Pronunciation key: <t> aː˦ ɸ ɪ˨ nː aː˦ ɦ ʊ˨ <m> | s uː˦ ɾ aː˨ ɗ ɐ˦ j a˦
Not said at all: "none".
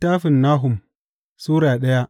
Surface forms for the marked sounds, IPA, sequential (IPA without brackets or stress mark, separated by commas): t, m